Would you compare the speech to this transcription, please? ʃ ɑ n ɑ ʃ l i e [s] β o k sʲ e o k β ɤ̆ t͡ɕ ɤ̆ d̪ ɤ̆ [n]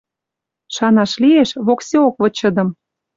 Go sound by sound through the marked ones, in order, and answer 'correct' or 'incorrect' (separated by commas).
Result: incorrect, incorrect